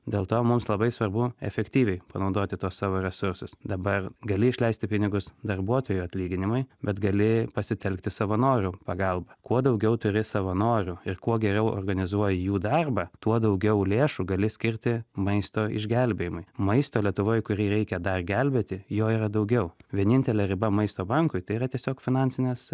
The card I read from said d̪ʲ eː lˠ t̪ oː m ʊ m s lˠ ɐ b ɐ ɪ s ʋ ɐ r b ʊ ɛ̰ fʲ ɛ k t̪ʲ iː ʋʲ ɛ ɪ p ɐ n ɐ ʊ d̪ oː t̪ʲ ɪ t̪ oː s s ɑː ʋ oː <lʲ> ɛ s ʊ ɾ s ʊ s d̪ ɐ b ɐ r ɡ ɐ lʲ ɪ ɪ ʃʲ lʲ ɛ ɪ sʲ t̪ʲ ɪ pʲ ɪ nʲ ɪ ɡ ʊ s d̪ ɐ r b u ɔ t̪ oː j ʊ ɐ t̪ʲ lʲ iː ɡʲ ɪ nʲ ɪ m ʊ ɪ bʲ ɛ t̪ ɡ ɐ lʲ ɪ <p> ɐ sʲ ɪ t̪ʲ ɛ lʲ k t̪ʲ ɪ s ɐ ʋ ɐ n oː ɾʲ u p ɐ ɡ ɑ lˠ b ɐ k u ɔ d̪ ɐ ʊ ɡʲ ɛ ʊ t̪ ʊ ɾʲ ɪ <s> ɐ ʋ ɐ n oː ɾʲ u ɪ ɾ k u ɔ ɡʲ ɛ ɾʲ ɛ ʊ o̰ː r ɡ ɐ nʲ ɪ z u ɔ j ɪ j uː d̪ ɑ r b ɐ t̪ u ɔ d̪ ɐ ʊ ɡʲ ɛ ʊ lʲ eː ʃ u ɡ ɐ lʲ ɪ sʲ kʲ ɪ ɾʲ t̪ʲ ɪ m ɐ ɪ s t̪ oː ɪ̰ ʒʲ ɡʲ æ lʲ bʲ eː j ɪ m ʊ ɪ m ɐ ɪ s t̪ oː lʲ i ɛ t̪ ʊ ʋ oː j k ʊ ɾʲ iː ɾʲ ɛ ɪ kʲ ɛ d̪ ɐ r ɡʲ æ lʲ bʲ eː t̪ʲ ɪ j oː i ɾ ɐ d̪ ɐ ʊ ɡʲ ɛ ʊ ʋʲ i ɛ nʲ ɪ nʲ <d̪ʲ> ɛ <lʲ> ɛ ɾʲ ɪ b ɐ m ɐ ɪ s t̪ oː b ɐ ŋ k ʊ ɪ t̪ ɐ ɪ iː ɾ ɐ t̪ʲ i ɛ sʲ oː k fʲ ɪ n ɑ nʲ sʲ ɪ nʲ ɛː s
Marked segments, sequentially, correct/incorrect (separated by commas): incorrect, correct, correct, incorrect, correct